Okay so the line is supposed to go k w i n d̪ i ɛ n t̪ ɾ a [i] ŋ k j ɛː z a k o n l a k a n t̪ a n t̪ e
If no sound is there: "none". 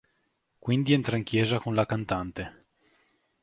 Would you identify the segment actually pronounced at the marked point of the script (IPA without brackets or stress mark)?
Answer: i